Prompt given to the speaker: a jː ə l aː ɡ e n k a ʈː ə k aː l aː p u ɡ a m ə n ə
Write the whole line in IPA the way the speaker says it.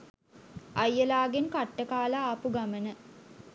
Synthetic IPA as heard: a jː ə l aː ɡ e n k a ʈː ə k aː l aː p u ɡ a m ə n ə

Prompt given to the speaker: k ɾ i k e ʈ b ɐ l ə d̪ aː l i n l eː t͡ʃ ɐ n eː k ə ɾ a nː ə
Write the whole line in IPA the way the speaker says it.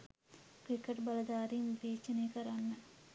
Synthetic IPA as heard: k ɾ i k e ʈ b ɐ l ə d̪ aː ɾ i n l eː t͡ʃ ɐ n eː k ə ɾ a nː ə

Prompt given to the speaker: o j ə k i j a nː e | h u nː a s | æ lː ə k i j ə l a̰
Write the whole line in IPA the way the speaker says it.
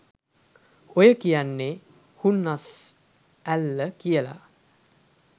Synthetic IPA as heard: o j ə k i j a nː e | h u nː a s | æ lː ə k i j ə l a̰

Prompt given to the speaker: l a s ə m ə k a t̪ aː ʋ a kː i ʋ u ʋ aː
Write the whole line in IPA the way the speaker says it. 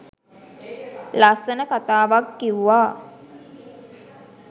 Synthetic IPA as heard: l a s ə n ə k a t̪ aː ʋ a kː i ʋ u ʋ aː

